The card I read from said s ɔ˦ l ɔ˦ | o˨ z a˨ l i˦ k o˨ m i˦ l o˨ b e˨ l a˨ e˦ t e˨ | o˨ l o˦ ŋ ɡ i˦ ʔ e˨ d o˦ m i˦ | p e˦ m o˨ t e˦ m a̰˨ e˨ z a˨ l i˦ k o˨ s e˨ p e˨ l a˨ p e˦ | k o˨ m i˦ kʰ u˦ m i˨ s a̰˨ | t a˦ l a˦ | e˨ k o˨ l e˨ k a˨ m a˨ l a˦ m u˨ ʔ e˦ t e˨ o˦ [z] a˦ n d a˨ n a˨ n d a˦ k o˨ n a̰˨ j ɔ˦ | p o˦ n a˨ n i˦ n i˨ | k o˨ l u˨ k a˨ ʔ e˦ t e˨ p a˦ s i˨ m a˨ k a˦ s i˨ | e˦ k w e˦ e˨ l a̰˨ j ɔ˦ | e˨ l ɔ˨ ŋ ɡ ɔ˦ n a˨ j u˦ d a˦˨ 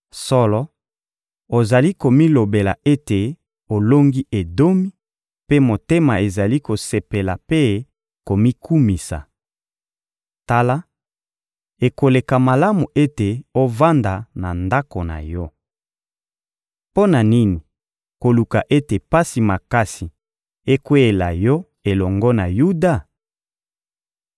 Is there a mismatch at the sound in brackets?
yes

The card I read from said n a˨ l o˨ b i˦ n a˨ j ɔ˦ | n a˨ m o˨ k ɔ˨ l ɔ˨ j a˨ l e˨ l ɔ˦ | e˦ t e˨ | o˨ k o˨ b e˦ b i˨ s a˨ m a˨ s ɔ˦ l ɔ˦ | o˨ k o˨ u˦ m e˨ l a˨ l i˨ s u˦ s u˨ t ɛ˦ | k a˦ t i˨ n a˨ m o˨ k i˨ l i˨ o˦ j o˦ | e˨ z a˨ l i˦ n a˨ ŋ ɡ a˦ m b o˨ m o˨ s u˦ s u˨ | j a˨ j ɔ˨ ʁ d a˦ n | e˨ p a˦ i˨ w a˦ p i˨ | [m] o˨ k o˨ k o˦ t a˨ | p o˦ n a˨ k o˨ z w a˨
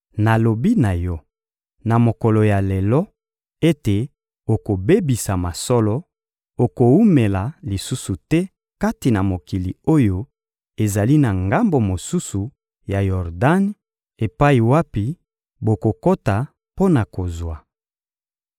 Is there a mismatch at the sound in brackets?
yes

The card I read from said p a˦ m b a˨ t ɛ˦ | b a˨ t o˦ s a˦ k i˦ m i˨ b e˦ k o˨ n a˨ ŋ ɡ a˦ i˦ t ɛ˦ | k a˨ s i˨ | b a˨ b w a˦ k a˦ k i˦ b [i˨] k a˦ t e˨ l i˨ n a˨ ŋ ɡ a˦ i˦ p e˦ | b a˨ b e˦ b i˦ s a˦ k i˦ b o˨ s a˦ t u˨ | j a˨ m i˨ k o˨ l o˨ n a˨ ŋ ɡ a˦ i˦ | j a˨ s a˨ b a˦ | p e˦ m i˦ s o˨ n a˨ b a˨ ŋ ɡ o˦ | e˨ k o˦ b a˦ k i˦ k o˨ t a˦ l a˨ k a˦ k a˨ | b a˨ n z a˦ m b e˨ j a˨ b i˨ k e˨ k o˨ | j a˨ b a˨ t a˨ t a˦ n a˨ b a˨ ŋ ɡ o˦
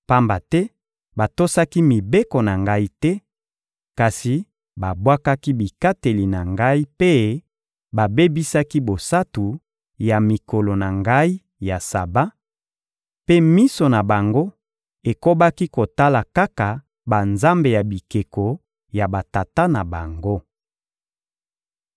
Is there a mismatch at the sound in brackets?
no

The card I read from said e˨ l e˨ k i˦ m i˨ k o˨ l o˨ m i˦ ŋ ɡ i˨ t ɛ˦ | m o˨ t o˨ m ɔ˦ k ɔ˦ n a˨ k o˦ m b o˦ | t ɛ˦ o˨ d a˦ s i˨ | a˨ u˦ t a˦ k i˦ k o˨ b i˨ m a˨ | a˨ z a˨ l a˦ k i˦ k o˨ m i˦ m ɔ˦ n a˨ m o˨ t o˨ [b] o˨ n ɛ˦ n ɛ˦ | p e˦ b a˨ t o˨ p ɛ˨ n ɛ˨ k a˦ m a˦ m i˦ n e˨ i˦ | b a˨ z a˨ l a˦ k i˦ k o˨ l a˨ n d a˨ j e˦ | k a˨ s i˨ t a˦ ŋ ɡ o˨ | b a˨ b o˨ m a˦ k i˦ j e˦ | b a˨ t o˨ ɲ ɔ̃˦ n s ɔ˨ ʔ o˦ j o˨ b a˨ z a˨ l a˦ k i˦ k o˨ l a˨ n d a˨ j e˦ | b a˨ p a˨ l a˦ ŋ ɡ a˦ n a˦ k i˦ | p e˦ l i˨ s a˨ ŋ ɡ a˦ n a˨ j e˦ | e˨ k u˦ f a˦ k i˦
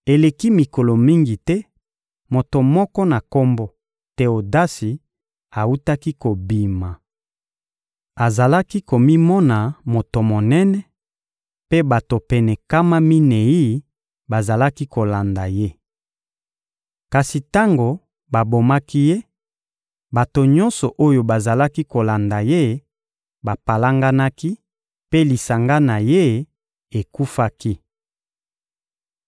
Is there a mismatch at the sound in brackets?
yes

